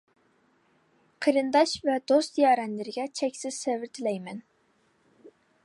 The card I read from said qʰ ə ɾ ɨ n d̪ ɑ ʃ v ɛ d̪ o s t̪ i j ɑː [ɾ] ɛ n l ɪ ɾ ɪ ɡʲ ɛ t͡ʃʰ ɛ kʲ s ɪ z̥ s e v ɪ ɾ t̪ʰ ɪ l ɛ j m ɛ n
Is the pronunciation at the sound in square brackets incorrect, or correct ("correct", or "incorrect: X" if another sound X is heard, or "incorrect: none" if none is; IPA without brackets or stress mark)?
correct